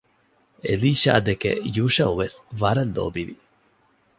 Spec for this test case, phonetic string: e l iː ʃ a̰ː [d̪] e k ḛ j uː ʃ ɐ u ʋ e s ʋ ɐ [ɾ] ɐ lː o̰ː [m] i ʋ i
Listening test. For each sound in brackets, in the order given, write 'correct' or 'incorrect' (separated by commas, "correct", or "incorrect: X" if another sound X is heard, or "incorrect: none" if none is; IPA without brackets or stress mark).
correct, correct, incorrect: b